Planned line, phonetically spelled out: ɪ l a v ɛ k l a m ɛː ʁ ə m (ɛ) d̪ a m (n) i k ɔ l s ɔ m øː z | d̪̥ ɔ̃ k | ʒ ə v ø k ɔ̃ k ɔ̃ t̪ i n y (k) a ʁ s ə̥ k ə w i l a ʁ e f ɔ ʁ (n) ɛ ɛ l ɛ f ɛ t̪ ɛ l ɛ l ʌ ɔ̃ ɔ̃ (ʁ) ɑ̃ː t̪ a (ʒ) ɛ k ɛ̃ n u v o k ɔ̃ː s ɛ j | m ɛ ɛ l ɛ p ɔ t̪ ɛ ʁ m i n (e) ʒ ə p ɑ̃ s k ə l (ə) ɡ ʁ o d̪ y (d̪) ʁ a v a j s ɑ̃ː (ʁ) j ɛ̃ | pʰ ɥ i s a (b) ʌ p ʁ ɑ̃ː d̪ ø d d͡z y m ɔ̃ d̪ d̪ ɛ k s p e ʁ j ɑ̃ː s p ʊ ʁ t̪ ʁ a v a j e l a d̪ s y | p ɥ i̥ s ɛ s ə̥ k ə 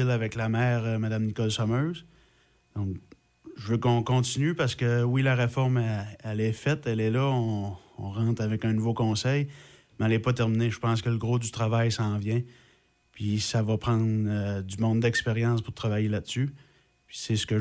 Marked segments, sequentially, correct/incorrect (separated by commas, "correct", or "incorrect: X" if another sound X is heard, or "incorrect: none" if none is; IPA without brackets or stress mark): incorrect: a, correct, incorrect: p, incorrect: m, correct, incorrect: v, correct, correct, incorrect: t̪, incorrect: v, incorrect: v